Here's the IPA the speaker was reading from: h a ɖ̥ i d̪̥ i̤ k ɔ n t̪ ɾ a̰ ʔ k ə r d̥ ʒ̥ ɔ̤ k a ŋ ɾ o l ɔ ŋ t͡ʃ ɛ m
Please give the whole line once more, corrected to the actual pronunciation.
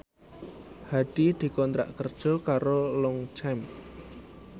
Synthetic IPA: h a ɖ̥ i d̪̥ i̤ k ɔ n t̪ ɾ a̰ ʔ k ə r d̥ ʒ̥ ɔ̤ k a ɾ o l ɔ ŋ t͡ʃ ɛ m